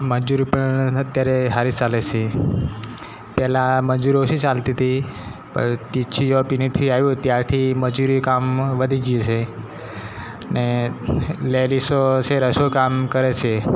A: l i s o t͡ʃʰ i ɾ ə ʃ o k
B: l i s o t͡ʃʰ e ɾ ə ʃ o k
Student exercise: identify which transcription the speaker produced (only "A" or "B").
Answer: B